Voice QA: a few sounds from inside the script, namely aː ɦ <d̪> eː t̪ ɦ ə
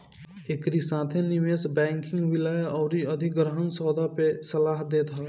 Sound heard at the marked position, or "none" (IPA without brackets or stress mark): d̪